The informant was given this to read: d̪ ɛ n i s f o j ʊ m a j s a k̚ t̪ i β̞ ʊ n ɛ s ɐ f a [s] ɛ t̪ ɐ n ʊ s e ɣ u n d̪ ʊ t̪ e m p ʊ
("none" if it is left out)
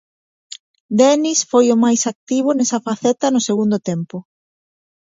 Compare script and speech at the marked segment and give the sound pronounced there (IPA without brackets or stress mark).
θ